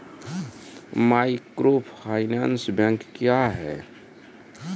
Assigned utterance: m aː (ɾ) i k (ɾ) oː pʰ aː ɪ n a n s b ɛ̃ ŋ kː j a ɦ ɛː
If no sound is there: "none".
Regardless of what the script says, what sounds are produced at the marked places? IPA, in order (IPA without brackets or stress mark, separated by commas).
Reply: none, ɾ